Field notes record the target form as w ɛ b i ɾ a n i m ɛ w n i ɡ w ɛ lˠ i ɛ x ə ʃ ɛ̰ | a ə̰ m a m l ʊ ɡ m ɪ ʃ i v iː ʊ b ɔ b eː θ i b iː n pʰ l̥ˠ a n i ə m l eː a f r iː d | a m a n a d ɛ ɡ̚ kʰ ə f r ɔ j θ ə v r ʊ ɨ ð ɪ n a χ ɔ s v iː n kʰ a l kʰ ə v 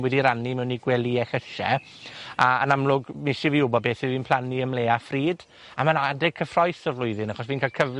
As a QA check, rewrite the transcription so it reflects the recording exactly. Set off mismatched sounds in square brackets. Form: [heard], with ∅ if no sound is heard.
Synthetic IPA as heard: w ɛ [d] i ɾ a n i m ɛ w n i ɡ w ɛ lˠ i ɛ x ə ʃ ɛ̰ | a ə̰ [n] a m l ʊ ɡ m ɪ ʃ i v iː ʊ b ɔ b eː θ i [v] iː n pʰ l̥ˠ a n i ə m l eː a f r iː d | a m a n a d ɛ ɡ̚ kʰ ə f r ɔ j θ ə v [l] ʊ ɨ ð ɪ n a χ ɔ s v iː n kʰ a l kʰ ə v